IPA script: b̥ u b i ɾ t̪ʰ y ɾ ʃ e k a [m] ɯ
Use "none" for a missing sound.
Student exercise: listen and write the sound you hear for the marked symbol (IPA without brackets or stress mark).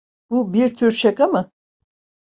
m